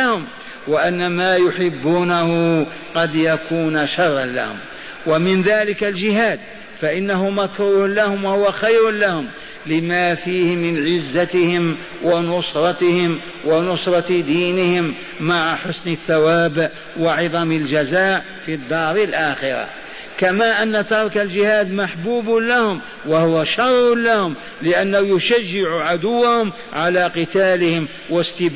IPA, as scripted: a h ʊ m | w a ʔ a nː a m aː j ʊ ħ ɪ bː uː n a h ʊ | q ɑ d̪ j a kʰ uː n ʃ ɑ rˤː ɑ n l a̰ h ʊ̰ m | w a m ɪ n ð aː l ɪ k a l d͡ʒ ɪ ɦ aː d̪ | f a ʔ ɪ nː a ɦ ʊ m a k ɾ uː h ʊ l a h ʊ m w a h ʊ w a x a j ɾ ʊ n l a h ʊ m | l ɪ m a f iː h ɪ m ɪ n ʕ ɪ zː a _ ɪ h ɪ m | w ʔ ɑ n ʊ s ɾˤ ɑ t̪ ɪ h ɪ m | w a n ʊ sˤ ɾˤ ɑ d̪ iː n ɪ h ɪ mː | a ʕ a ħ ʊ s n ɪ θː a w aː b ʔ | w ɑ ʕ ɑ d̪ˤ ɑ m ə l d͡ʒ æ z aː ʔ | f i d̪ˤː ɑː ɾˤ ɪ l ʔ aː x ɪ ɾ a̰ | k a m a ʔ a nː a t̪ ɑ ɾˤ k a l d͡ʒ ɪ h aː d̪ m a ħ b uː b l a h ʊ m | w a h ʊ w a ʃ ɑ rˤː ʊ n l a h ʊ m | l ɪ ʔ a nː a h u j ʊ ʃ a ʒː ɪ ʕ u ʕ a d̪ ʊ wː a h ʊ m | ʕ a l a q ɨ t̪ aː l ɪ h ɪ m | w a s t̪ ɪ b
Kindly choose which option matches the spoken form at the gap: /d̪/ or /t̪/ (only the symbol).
t̪